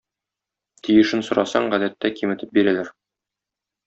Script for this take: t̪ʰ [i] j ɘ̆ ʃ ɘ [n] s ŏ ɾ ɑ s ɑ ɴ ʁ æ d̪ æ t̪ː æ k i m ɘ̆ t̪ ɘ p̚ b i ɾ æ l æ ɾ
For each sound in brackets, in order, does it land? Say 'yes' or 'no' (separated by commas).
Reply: yes, yes